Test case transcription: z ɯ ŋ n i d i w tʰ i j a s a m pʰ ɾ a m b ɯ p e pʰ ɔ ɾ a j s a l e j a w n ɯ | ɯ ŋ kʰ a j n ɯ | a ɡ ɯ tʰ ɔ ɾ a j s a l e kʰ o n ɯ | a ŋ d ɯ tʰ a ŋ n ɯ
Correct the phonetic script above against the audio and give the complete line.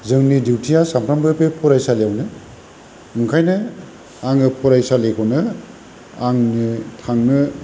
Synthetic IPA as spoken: z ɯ ŋ n i d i w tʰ i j a s a m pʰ ɾ a m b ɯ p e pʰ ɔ ɾ a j s a l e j a w n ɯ | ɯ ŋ kʰ a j n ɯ | a ŋ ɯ pʰ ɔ ɾ a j s a l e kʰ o n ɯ | a ŋ n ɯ tʰ a ŋ n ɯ

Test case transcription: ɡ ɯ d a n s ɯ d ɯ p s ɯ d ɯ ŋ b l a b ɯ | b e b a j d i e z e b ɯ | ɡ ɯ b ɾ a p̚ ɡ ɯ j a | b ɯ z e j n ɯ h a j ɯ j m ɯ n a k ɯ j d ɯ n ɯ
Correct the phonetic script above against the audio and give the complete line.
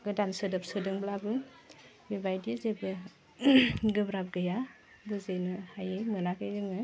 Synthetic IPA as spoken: ɡ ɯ d a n s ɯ d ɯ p s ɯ d ɯ ŋ b l a b ɯ | b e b a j d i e z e b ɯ | ɡ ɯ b ɾ a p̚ ɡ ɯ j a | b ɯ z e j n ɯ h a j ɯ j m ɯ n a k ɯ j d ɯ ŋ ɯ

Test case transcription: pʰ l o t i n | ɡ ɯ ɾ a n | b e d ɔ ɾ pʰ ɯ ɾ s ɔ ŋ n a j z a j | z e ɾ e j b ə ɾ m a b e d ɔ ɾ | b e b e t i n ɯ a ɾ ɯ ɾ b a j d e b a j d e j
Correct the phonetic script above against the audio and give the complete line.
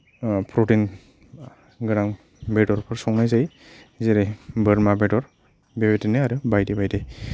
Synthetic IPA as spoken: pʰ ɾ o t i n | ɡ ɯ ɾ a ŋ | b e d ɔ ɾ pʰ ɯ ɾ s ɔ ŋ n a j z a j | z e ɾ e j b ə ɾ m a b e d ɔ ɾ | b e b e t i n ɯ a ɾ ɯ b a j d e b a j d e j

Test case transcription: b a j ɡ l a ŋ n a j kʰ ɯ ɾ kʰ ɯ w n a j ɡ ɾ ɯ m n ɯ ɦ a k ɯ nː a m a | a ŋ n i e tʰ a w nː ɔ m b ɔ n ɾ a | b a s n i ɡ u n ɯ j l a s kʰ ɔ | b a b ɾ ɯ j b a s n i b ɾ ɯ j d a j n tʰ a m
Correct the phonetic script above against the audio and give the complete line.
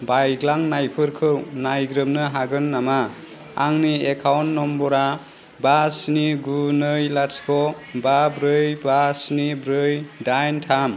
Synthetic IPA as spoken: b a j ɡ l a ŋ n a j pʰ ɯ ɾ kʰ ɯ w n a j ɡ ɾ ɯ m n ɯ ɦ a ɡ ɯ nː a m a | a ŋ n i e kʰ a w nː ɔ m b ɔ ɾ a | b a s n i ɡ u n ɯ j l a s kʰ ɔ | b a b ɾ ɯ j b a s n i b ɾ ɯ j d a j n tʰ a m

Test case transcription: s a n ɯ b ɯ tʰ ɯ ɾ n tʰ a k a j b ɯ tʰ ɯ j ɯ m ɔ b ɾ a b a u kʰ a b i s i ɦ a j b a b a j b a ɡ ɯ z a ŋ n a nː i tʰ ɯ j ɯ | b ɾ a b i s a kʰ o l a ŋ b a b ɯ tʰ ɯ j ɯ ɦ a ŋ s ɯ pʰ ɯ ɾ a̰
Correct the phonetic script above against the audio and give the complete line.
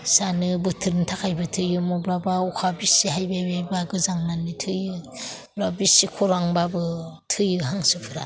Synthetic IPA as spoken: s a n ɯ b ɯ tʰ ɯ ɾ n tʰ a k a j b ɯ tʰ ɯ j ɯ m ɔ b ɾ a b a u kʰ a b i s i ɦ a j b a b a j b a ɡ ɯ z a ŋ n a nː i tʰ ɯ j ɯ | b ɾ a b i s i kʰ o ɾ a ŋ b a b ɯ tʰ ɯ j ɯ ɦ a ŋ s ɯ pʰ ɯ ɾ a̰

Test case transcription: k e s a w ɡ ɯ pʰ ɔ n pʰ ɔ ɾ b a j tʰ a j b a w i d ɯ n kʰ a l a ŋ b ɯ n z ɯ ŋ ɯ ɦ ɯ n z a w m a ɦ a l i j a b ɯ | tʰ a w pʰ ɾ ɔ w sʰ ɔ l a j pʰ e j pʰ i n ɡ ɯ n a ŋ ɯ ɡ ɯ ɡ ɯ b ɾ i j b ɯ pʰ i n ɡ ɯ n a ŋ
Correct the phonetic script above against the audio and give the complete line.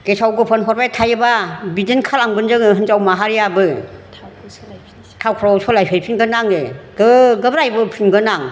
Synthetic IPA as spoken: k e s a w ɡ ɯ pʰ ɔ n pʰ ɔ ɾ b a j tʰ a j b a b i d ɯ n kʰ a l a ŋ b ɯ n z ɯ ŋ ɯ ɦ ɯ n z a w m a ɦ a ɾ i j a b ɯ | tʰ a w kʰ ɾ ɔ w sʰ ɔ l a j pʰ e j pʰ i n ɡ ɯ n a ŋ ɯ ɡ ɯ ɡ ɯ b ɾ a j b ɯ pʰ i n ɡ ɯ n a ŋ

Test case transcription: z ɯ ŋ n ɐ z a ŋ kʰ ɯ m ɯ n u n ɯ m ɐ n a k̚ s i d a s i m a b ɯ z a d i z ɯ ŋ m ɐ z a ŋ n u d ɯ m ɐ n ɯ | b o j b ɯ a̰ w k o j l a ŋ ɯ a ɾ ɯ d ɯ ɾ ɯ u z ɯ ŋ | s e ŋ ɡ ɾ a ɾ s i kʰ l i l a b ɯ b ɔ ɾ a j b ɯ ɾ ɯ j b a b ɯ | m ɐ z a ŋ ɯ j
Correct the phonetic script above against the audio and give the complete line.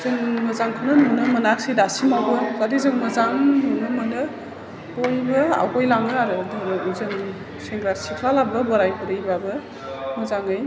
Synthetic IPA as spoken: z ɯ ŋ m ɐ z a ŋ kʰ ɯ n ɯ n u n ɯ m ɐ n a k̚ s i d a s i m a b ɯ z a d i z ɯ ŋ m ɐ z a ŋ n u n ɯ m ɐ n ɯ | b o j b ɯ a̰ w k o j l a ŋ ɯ a ɾ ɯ d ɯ ɾ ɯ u z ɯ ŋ | s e ŋ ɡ ɾ a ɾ s i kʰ l a l a b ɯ b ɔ ɾ a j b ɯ ɾ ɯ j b a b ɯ | m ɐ z a ŋ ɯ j

